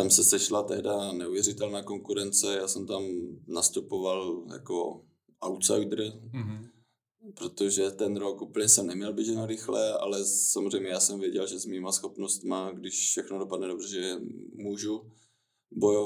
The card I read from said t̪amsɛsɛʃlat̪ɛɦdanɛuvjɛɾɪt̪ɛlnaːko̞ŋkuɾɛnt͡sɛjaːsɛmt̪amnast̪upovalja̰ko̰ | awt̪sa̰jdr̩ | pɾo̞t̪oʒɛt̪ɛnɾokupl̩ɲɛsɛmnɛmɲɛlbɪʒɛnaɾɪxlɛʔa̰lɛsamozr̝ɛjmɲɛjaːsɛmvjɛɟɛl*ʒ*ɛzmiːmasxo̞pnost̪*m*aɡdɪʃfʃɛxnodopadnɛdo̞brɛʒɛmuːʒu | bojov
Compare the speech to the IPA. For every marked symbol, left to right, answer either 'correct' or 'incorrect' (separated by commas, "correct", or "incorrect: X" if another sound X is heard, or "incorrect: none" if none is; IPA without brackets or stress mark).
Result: correct, correct